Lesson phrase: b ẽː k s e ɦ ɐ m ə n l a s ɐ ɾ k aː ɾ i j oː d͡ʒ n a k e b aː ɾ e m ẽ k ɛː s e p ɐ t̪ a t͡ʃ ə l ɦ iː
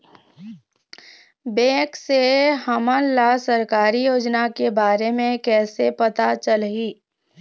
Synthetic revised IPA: b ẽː k s e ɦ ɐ m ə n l a s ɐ ɾ k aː ɾ i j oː d͡ʒ n a k e b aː ɾ e m ẽ k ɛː s e p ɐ t̪ a t͡ʃ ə l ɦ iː